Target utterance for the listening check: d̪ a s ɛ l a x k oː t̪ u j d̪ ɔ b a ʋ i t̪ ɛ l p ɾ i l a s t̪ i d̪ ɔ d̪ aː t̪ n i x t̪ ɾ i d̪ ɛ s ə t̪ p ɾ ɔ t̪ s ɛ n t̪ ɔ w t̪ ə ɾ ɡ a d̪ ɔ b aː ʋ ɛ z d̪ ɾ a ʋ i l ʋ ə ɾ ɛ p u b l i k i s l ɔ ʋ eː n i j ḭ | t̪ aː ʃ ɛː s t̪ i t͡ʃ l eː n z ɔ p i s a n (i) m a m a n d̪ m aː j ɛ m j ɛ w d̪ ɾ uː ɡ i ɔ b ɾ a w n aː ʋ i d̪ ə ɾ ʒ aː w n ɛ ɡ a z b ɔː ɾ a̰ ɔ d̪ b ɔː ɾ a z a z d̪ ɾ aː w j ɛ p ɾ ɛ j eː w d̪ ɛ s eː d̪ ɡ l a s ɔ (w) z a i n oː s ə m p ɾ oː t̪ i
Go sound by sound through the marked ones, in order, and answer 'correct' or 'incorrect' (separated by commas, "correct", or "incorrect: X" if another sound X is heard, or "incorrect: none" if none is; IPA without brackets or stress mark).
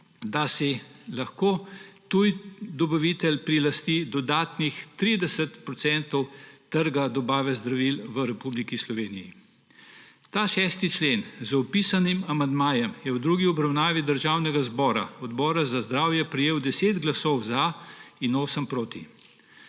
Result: correct, correct